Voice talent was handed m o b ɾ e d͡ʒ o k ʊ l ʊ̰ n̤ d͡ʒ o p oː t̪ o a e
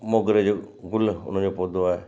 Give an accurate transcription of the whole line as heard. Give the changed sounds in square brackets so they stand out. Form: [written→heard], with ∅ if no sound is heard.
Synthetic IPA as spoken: m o [b→ɡ] ɾ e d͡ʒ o [k→ɡ] ʊ l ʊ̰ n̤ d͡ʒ o p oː [t̪→d̪] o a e